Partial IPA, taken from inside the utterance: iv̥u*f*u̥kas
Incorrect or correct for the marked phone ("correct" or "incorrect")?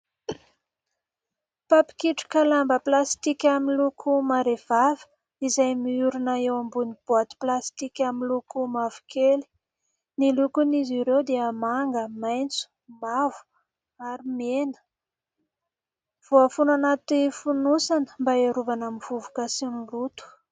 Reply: incorrect